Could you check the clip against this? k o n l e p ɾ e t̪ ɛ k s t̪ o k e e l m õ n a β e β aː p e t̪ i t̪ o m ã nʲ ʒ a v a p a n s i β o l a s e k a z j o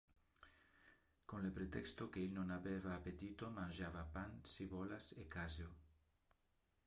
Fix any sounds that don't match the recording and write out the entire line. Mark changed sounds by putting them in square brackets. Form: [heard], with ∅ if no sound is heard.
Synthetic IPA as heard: k o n l e p ɾ e t̪ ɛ k s t̪ o k e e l [n] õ n a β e β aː p e t̪ i t̪ o m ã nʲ ʒ a [β] a p a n s i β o l a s e k a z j o